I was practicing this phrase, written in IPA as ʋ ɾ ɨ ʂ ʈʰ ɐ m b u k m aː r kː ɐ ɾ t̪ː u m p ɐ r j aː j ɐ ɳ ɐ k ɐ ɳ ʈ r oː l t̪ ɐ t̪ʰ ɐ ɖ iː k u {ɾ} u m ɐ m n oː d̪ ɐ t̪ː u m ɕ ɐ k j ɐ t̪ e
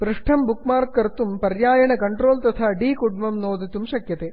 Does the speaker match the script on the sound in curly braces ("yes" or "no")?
no